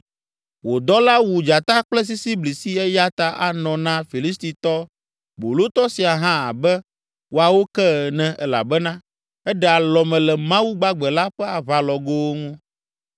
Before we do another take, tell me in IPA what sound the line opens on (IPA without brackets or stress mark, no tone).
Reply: w